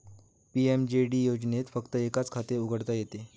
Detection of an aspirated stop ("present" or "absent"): present